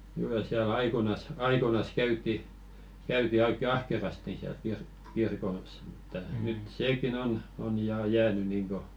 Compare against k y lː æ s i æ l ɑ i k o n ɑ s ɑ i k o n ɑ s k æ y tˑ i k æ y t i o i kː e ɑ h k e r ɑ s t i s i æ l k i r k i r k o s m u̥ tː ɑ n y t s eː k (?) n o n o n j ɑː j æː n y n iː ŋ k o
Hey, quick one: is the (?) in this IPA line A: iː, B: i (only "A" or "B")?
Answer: B